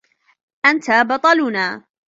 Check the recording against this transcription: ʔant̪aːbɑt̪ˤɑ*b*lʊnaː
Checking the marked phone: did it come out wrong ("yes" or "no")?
yes